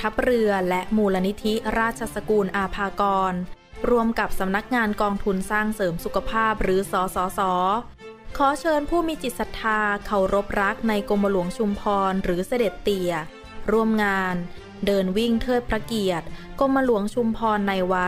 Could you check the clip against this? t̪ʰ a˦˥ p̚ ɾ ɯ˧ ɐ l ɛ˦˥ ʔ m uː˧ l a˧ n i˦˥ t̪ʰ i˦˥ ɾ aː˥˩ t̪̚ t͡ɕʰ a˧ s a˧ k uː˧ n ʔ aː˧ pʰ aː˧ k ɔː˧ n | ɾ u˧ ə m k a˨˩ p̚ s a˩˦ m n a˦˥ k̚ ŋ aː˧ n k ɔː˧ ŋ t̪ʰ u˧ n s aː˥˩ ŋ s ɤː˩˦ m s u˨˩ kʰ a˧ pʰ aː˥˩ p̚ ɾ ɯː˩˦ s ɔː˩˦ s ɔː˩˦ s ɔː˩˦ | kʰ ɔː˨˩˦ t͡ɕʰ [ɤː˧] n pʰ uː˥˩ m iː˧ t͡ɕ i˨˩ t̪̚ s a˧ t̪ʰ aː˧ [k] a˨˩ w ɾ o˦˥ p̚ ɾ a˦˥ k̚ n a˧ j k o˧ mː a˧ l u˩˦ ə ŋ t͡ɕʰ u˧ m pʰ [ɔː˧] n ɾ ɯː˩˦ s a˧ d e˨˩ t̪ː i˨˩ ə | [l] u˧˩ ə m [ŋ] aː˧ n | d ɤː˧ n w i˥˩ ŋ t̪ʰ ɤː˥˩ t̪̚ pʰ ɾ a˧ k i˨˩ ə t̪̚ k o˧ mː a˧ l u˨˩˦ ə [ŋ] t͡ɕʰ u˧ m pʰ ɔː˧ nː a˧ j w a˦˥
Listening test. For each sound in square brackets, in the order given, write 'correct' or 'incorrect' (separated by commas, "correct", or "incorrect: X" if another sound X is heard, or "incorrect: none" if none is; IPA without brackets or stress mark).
correct, incorrect: kʰ, correct, incorrect: ɾ, correct, correct